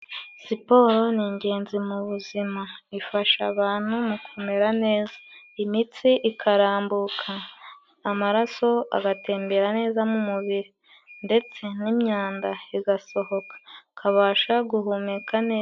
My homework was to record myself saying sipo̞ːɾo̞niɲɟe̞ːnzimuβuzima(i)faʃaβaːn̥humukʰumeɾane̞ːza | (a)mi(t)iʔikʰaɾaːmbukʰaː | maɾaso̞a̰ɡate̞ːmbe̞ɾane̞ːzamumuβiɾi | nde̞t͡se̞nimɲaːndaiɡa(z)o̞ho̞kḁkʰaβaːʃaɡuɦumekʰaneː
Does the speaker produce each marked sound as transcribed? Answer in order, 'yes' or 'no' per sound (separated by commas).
yes, no, no, no